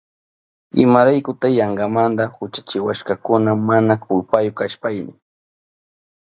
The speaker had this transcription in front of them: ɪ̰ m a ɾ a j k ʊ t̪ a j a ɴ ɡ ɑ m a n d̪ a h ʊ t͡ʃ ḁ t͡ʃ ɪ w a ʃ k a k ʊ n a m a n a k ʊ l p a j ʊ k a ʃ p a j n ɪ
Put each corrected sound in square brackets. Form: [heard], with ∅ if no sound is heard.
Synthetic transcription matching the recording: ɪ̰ m a ɾ a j k ʊ t̪ a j a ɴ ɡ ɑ m a n d̪ a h ʊ t͡ʃ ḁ t͡ʃ ɪ w a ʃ k a k ʊ n a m a n a k ʊ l p a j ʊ k a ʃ p a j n ɪ